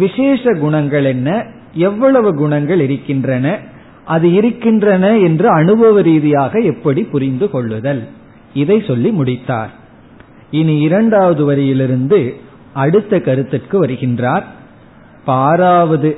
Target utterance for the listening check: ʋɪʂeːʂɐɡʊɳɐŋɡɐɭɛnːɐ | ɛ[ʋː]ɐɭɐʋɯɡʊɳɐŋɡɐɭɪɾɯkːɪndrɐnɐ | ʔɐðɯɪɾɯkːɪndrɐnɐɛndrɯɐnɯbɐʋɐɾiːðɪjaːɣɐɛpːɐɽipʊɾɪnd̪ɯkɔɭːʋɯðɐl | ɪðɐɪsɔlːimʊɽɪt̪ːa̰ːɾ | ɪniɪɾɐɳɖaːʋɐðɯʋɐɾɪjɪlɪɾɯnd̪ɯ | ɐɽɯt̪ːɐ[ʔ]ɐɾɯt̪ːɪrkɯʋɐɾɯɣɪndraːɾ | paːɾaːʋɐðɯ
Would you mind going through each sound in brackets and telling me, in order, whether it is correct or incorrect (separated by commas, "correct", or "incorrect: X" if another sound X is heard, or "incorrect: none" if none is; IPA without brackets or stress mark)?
correct, incorrect: k